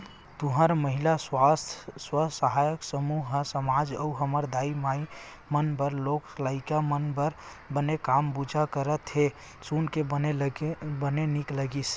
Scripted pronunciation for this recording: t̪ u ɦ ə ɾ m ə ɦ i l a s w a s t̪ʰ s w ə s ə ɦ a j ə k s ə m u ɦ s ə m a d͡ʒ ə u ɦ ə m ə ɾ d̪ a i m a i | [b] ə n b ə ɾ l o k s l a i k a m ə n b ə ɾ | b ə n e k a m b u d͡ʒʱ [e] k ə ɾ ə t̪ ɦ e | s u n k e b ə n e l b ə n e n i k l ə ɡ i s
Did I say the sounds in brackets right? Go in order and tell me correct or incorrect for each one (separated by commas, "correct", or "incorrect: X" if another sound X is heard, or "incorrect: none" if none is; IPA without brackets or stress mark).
incorrect: m, incorrect: a